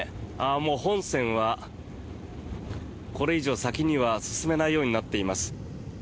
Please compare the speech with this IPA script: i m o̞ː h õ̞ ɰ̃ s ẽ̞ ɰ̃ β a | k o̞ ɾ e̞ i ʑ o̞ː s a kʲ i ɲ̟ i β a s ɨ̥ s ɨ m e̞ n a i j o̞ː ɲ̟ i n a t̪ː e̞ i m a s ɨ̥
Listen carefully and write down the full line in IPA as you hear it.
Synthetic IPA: a m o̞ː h õ̞ ɰ̃ s ẽ̞ ɰ̃ β a | k o̞ ɾ e̞ i ʑ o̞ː s a kʲ i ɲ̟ i β a s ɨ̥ s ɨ m e̞ n a i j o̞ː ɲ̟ i n a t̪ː e̞ i m a s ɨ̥